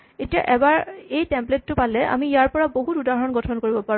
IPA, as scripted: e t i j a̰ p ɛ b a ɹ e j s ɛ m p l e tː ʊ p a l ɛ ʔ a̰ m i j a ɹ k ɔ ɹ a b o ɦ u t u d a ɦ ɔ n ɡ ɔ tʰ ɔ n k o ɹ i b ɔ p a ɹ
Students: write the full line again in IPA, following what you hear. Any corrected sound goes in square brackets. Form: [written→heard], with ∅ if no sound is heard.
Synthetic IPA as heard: e t i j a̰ [p→ʔ] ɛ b a ɹ e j [s→t] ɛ m p l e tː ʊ p a l ɛ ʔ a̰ m i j a ɹ [k→p] ɔ ɹ a b o ɦ u t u d a ɦ ɔ n ɡ ɔ tʰ ɔ n k o ɹ i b ɔ p a ɹ